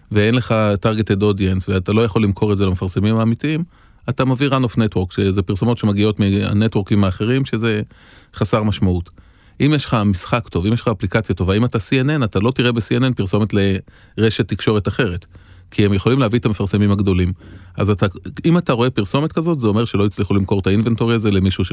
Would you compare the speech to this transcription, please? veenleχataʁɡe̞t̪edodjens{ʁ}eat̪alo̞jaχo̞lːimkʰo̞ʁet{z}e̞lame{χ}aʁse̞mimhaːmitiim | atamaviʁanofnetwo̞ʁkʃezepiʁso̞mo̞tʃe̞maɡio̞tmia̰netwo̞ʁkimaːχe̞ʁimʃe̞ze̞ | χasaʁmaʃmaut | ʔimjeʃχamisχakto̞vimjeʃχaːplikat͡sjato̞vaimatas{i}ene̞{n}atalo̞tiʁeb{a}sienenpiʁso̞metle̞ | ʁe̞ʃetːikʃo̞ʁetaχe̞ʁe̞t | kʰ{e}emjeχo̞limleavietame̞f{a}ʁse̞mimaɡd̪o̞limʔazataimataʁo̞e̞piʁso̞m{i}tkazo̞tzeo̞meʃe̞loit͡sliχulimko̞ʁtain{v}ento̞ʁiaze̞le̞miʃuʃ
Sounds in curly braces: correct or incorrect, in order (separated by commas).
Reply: incorrect, correct, incorrect, correct, correct, incorrect, incorrect, correct, incorrect, correct